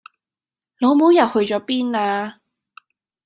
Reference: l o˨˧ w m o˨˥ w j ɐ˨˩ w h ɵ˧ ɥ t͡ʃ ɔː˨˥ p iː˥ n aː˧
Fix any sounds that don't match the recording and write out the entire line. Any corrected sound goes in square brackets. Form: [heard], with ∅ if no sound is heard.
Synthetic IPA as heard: l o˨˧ w m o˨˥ w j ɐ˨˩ w h ɵ˧ ɥ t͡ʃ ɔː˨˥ p iː˥ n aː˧